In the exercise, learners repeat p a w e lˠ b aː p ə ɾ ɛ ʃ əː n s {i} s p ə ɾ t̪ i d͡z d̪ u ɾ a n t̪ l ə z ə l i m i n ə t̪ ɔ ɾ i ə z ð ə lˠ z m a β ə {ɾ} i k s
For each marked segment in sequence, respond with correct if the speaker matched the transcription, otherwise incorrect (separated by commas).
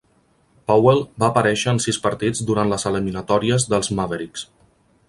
correct, correct